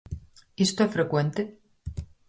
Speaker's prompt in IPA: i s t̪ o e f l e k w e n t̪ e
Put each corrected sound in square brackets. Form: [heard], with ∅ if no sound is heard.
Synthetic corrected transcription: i s t̪ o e f [ɾ] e k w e n t̪ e

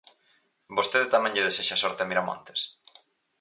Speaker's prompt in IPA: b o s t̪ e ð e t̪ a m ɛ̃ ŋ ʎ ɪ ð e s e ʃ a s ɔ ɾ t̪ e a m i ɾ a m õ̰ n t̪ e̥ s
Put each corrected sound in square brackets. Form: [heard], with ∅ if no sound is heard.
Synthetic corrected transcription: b o s t̪ e ð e t̪ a m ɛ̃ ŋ ʎ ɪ ð e s e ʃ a s ɔ ɾ t̪ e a m i ɾ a m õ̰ n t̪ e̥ s

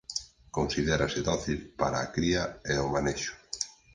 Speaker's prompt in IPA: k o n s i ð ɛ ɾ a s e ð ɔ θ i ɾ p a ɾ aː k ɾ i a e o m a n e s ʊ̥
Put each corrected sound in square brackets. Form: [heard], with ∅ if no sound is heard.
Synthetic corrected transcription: k o n s i ð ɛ ɾ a s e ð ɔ θ i [l] p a ɾ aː k ɾ i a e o m a n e [ʃ] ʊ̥

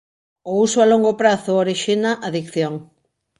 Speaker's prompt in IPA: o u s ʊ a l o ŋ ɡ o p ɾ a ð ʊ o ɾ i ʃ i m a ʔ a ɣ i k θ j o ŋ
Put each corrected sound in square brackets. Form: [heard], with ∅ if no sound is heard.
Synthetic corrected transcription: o u s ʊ a l o ŋ ɡ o p ɾ a [θ] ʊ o ɾ i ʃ i [n] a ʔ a [ð] i k θ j o ŋ

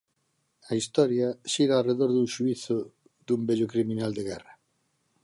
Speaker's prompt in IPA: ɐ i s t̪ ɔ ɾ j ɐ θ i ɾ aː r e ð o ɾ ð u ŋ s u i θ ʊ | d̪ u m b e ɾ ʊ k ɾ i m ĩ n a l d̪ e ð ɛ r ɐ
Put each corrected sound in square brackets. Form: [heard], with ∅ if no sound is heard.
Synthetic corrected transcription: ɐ i s t̪ ɔ ɾ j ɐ [ʃ] i ɾ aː r e ð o ɾ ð u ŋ [ʃ] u i θ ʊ | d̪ u m b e [ʎ] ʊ k ɾ i m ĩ n a l d̪ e [ɣ] ɛ r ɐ

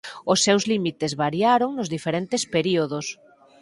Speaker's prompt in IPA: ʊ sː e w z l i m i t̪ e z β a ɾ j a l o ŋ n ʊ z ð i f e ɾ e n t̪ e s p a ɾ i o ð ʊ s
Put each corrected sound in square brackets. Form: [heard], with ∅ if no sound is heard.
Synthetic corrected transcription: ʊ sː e w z l i m i t̪ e z β a ɾ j a [ɾ] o ŋ n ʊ z ð i f e ɾ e n t̪ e s p [e] ɾ i o ð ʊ s

